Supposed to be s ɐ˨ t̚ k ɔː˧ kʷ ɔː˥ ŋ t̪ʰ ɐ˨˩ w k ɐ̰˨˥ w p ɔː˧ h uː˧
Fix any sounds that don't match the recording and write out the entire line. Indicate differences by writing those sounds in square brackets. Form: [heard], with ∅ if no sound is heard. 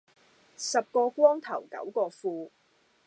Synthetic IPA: s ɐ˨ [p̚] k ɔː˧ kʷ ɔː˥ ŋ t̪ʰ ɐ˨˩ w k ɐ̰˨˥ w [k] ɔː˧ [f] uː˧